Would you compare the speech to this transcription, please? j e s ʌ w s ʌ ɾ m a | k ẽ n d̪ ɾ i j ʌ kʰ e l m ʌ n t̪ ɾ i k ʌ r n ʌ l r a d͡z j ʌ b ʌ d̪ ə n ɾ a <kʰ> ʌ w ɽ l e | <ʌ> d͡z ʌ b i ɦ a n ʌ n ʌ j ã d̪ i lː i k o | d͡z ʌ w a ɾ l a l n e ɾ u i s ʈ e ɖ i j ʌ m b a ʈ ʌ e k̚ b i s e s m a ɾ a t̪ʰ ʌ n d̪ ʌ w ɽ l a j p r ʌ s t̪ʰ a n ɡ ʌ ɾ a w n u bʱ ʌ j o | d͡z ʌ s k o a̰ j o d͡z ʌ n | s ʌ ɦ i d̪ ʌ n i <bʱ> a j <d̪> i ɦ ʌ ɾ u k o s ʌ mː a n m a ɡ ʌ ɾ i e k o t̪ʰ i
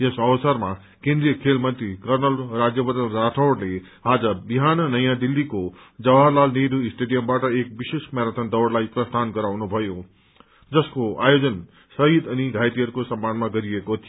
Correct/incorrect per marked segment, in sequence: incorrect: ʈʰ, incorrect: a, incorrect: ɡʱ, incorrect: t̪

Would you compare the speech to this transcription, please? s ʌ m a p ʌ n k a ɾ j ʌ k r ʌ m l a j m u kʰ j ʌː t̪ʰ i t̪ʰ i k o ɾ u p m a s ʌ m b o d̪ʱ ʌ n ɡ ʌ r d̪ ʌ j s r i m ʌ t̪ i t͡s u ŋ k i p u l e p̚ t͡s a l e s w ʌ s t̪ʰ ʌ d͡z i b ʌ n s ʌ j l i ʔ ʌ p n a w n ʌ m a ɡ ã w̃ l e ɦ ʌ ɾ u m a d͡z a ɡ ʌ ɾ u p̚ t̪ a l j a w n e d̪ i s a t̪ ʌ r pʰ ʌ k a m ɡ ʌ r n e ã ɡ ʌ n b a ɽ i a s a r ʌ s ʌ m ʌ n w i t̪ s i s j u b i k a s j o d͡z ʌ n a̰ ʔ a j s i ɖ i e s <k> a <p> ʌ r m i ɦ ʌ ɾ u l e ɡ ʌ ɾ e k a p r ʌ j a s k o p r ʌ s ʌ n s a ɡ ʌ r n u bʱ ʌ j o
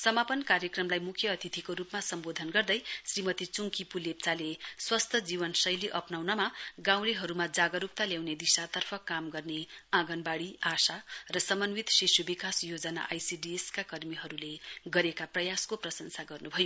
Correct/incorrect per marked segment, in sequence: correct, incorrect: k

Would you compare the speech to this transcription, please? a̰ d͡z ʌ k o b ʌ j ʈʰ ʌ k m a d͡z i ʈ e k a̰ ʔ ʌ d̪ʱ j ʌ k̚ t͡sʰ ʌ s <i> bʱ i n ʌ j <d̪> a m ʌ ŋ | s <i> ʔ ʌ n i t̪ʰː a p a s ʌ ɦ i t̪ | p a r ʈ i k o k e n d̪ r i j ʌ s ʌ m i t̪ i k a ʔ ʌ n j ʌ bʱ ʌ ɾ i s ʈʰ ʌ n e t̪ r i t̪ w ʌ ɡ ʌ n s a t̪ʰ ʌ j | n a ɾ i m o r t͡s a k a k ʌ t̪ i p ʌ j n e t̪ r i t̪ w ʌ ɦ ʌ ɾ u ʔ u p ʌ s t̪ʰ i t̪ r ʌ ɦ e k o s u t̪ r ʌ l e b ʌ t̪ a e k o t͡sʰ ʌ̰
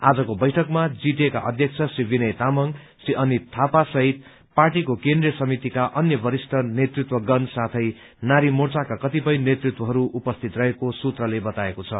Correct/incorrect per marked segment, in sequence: correct, incorrect: t̪, correct

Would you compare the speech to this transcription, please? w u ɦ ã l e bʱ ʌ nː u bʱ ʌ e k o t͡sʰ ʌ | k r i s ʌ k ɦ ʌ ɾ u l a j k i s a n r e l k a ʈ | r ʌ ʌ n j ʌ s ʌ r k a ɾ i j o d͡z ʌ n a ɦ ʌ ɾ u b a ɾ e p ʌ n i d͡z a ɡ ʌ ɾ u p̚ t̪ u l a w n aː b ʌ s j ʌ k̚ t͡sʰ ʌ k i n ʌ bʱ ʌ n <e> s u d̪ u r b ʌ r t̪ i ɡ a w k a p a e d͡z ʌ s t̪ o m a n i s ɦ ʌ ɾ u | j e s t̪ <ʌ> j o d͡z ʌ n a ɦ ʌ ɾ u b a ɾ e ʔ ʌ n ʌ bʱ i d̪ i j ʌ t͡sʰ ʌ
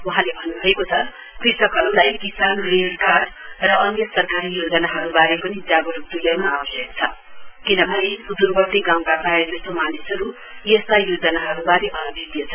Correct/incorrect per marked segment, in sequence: correct, incorrect: a

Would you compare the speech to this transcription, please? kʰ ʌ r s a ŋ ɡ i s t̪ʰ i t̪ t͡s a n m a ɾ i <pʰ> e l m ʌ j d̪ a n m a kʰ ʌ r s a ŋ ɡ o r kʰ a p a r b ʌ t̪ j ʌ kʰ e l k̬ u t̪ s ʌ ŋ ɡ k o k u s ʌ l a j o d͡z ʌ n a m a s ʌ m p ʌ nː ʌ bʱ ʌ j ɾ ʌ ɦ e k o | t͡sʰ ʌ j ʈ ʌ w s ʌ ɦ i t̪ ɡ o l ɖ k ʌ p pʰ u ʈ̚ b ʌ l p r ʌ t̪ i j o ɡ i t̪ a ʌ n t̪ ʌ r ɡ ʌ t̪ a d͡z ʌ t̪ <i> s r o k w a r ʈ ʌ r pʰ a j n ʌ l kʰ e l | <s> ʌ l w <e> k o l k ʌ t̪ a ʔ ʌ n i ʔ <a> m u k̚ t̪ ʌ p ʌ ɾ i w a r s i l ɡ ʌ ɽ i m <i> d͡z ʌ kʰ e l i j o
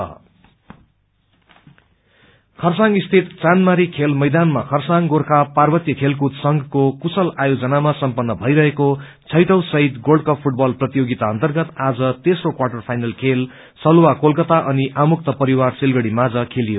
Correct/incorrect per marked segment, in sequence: incorrect: kʰ, incorrect: e, correct, incorrect: a, correct, incorrect: a

